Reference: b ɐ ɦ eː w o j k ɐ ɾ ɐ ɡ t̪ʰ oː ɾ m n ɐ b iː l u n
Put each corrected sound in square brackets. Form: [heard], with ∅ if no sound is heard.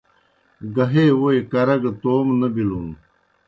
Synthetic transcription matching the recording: [ɡ] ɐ ɦ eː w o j k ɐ ɾ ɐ ɡ [t̪] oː [∅] m n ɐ b [i] l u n